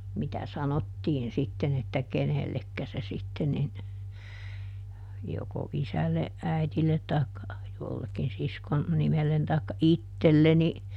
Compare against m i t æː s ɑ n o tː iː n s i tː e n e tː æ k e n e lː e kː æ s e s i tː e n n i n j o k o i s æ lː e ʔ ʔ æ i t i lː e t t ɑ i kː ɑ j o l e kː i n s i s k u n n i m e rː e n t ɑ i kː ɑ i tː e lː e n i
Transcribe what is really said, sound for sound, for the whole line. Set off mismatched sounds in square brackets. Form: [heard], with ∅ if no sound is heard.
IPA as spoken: m i t [æ] s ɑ n o tː iː n s i tː e n e tː æ k e n e lː e kː æ s e s i tː e n n i n j o k o i s æ lː e ʔ ʔ æ i t i lː e t t ɑ i kː ɑ j o [lː] e kː i n s i s k [o] n n i m e [lː] e n t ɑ i kː ɑ i tː e lː e n i

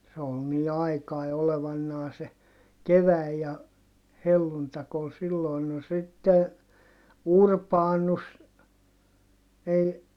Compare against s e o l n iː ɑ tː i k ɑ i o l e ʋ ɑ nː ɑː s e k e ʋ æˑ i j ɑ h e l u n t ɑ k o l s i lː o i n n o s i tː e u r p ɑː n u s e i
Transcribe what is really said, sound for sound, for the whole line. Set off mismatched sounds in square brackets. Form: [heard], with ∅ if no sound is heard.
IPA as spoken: s e o l n iː ɑ [∅] i k ɑ i o l e ʋ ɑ nː ɑː s e k e ʋ æˑ i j ɑ h e [lː] u n t ɑ k o l s i lː o i n n o s i tː e u r p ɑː n u s e i

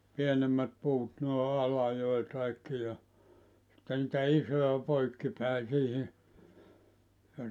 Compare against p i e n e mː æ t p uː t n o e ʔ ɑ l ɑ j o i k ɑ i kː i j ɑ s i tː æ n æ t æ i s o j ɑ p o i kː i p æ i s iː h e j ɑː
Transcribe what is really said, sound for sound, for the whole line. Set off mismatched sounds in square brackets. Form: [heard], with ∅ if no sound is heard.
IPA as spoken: p i e n e mː æ t p uː t n o e ʔ ɑ l ɑ j o i k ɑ i kː i j ɑ s i tː [e] n [i] t æ i s o j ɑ p o i kː i p æ i s iː h [i] j [ɑ]

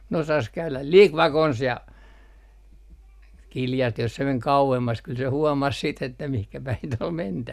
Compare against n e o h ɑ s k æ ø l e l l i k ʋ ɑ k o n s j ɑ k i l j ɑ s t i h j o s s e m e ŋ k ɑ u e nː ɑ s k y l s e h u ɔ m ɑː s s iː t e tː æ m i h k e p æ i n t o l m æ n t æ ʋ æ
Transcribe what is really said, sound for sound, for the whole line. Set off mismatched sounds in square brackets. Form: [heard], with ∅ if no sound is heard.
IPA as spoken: n e o [s] ɑ s k æ [y] l [æ] l l i k ʋ ɑ k o n s j ɑ k i l j ɑ s t i h j o s s e m e ŋ k ɑ u e [mː] ɑ s k y l s e h u ɔ m [ɑ] s s iː t e tː æ m i h k [æ] p æ i n t o l m [e] n t æ ʋ æ

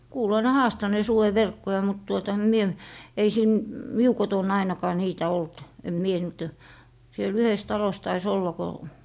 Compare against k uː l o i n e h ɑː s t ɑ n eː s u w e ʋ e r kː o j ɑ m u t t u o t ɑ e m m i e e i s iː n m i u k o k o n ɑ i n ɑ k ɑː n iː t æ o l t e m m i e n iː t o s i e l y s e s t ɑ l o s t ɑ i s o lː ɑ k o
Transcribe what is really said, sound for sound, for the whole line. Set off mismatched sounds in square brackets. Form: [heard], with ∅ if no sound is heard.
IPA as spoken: k uː l o i n e h ɑː s t ɑ n eː s u w e ʋ e r kː o j ɑ m u t t u o t ɑ e m m i e e i s iː n m i u k o [t] o n ɑ i n ɑ k ɑː n iː t æ o l t e m m i e n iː t o s i e l y [h] e s t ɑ l o s t ɑ i s o lː ɑ k o

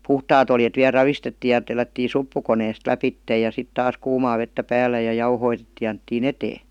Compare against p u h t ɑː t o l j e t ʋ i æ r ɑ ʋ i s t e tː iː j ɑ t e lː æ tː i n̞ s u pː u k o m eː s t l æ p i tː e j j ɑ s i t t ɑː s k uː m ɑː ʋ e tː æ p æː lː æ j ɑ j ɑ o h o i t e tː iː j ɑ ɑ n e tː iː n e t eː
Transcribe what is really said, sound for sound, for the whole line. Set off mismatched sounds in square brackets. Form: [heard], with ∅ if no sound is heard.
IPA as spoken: p u h t ɑː t o l j e t ʋ i æ r ɑ ʋ i s t e tː iː j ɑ t e lː æ tː i n̞ s u pː u k o [n] eː s t l æ p i tː e j j ɑ s i t t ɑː s k uː m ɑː ʋ e tː æ p æː lː æ j ɑ j ɑ [u] h o i t e tː iː j ɑ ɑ n e tː iː n e t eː

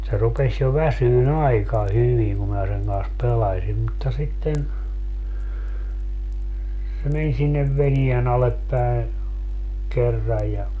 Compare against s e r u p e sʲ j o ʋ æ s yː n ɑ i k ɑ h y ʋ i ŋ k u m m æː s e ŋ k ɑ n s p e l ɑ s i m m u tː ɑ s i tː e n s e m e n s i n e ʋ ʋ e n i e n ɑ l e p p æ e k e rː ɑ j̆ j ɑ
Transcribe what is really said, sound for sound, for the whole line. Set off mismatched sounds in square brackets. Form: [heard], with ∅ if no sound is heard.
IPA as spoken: s e r u p e sʲ j o ʋ æ s yː n ɑ i k ɑ h y ʋ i ŋ k u m m æː s e ŋ k ɑ n s p e l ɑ s i m m u tː ɑ s i tː e n s e m e n s i [nː] e ʋ ʋ e n i e n ɑ l e p p æ e k e rː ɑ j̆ j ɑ

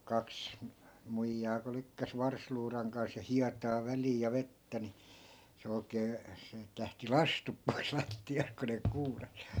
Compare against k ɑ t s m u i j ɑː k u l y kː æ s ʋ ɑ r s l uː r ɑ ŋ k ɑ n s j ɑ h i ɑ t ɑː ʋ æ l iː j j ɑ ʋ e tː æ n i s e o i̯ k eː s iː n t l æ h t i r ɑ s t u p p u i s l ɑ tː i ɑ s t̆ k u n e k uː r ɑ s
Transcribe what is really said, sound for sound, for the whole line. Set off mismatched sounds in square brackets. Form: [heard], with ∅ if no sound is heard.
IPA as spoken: k ɑ [k] s m u i [jː] ɑː k u l y kː æ s ʋ ɑ r s l uː r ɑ ŋ k ɑ n s j ɑ h i ɑ t ɑː ʋ æ l iː j j ɑ ʋ e tː æ n i s e o i̯ k eː s iː [∅] t l æ h t i [l] ɑ s t u p p [o] i s l ɑ tː i ɑ s t̆ k u n e k uː r ɑ s

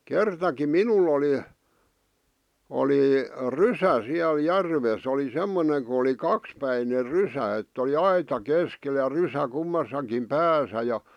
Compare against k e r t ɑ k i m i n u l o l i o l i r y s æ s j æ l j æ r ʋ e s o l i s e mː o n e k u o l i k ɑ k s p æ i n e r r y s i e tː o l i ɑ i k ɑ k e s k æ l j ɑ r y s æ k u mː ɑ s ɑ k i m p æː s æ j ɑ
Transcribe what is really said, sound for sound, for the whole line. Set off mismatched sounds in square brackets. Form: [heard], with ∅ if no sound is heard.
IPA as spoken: k e r t ɑ k i m i n u l o l i o l i r y s æ s [i] æ l j æ r ʋ e s o l i s e mː o n e k u o l i k ɑ k s p æ i n e r r y s [æ] e tː o l i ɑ i [t] ɑ k e s k [e] l j ɑ r y s æ k u mː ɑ s ɑ k i m p æː s æ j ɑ

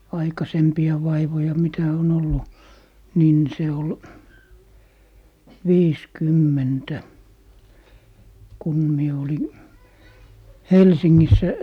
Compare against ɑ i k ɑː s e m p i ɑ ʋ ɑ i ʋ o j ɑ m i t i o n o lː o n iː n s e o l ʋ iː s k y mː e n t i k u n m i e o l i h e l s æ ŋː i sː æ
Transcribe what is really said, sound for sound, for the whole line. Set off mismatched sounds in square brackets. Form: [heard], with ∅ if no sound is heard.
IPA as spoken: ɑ i k [ɑ] s e m p i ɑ ʋ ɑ i ʋ o j ɑ m i t [æ] o n o lː [u] n iː n s e o l ʋ iː s k y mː e n t [æ] k u n m i e o l i h e l s [i] ŋː i sː æ

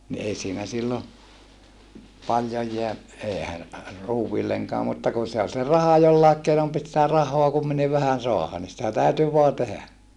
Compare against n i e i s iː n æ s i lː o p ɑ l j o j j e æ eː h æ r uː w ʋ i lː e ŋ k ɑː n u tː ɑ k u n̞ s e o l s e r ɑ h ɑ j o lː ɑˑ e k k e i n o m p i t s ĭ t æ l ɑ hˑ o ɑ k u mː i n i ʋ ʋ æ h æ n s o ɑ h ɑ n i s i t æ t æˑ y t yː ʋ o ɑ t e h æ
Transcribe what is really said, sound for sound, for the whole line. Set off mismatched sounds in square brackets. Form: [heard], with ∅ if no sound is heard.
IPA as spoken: n i e i s iː n æ s i lː o p ɑ l j o j j e æ eː h æ r uː w ʋ i lː e ŋ k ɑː [m] u tː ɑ k u n̞ s e o l s e r ɑ h ɑ j o lː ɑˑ e k k e i n o m p i t s ĭ t æ [r] ɑ hˑ o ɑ k u mː i n i ʋ ʋ æ h æ n s o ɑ h ɑ n i s i t æ t æˑ y t [y] ʋ o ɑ t e h æ

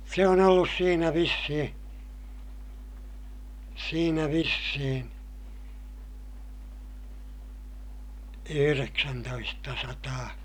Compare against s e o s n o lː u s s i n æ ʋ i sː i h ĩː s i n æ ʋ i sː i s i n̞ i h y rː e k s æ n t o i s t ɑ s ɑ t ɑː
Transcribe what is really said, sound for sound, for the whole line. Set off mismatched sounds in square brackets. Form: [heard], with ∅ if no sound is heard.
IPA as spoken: s e o [∅] n o lː u s s [iː] n æ ʋ i sː i h ĩː s [iː] n æ ʋ i sː i [h] i n̞ [y] h y [r] e k s æ n t o i s t ɑ s ɑ t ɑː

